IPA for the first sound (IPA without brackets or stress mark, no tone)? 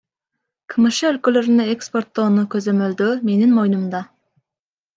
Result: kʰ